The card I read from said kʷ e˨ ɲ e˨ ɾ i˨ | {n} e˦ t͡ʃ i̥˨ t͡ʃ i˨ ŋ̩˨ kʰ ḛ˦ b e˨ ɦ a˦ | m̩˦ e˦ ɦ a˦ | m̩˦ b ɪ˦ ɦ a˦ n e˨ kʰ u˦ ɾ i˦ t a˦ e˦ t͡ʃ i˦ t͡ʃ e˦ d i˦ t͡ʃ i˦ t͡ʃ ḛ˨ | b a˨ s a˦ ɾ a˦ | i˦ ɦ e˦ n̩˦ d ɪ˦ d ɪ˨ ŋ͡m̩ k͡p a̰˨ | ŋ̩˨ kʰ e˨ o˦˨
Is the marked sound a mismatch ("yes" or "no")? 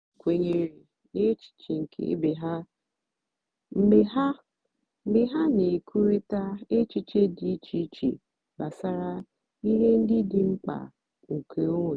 no